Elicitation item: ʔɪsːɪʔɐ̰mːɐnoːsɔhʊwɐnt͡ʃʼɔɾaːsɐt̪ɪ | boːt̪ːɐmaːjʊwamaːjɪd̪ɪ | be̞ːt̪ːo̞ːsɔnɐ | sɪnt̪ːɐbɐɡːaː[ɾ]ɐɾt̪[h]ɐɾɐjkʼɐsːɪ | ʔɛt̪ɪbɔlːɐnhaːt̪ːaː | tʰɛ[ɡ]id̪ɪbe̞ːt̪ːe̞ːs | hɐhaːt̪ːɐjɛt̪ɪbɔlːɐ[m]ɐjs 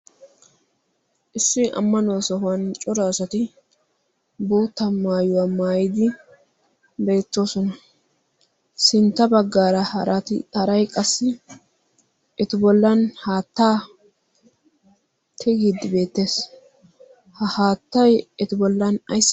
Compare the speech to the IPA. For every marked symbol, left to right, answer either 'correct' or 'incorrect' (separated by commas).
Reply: correct, correct, correct, incorrect